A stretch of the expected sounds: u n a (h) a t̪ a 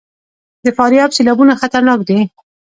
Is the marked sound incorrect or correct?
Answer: incorrect